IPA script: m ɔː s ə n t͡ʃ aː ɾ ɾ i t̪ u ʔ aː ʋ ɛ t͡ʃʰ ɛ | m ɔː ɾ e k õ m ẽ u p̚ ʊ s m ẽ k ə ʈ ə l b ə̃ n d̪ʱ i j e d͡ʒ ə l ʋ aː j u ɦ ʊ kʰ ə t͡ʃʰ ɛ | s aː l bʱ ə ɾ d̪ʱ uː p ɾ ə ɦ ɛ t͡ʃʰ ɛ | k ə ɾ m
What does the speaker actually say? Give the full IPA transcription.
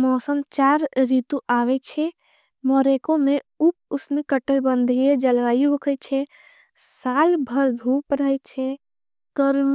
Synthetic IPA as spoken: m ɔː s ə n t͡ʃ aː ɾ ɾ i t̪ u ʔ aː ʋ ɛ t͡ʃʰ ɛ | m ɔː ɾ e k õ m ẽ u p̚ ʊ s m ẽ k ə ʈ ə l b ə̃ n d̪ʱ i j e d͡ʒ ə l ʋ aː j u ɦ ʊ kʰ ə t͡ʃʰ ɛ | s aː l bʱ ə ɾ d̪ʱ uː p ɾ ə ɦ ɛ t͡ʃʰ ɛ | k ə ɾ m